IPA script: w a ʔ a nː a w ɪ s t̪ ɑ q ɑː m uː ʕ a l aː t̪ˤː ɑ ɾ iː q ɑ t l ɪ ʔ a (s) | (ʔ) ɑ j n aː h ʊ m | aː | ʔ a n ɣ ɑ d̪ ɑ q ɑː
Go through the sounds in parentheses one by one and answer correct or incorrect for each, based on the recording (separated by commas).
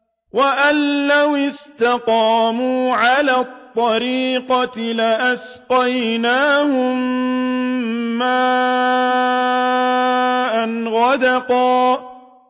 correct, incorrect